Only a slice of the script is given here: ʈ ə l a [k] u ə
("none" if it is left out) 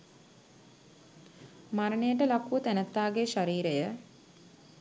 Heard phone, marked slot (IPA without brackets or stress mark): k